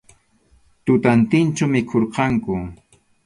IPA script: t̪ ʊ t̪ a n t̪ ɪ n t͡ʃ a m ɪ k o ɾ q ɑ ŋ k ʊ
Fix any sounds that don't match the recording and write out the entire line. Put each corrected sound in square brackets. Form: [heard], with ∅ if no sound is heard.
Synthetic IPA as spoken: t̪ ʊ t̪ a n t̪ ɪ n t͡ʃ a m ɪ [kʰ] o ɾ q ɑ ŋ k ʊ